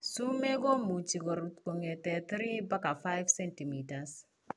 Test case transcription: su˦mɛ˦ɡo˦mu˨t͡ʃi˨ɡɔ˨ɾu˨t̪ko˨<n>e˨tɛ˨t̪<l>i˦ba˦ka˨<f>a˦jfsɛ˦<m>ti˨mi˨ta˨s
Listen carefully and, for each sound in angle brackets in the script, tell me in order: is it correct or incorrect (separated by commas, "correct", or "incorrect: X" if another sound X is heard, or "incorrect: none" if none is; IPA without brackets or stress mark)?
incorrect: ŋ, incorrect: ɾ, correct, incorrect: n